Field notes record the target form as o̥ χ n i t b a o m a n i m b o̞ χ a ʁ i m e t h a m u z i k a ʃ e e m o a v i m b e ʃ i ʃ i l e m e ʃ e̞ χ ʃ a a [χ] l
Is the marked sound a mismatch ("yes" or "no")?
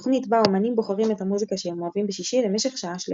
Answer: yes